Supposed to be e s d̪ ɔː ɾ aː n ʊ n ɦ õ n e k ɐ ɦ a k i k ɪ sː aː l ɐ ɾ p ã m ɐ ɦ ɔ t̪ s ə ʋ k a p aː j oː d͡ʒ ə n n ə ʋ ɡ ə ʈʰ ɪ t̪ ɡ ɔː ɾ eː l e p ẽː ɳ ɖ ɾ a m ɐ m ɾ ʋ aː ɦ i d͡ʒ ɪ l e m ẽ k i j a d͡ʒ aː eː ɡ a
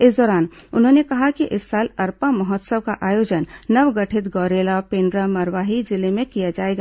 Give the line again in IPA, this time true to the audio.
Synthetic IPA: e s d̪ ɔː ɾ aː n ʊ n ɦ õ n e k ɐ ɦ a k i ʔ ɪ sː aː l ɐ ɾ p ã m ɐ ɦ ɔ t̪ s ə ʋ k a ʔ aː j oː d͡ʒ ə n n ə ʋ ɡ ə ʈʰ ɪ t̪ ɡ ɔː ɾ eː l a p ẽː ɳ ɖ ɾ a m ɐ ɾ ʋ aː ɦ i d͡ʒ ɪ l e m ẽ k i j a d͡ʒ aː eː ɡ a